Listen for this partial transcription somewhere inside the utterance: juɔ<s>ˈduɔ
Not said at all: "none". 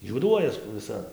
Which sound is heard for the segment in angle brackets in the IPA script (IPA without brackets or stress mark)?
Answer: none